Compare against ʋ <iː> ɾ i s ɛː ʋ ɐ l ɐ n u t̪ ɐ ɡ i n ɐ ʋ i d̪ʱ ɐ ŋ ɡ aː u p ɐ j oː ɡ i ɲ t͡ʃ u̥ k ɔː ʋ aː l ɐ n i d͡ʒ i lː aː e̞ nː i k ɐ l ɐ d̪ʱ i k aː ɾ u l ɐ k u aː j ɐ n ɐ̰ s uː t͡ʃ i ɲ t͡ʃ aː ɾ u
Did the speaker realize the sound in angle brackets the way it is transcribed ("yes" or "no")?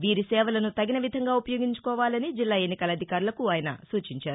yes